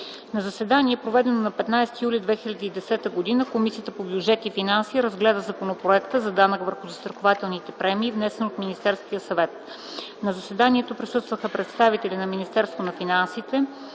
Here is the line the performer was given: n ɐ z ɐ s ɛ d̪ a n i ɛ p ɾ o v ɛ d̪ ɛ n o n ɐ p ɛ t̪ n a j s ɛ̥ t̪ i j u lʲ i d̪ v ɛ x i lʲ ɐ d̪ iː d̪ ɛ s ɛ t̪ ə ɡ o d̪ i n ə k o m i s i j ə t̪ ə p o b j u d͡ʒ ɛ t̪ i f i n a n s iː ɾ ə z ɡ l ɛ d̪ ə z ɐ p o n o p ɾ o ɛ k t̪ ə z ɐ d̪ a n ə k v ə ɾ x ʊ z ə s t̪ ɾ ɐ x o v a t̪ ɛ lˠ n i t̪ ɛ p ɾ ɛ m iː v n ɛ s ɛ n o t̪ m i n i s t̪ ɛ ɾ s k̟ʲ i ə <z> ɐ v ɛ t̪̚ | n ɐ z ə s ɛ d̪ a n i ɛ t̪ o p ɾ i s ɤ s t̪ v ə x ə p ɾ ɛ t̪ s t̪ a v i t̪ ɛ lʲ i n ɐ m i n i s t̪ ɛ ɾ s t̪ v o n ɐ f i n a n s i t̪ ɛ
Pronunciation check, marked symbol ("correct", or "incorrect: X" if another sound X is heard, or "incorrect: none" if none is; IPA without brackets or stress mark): incorrect: s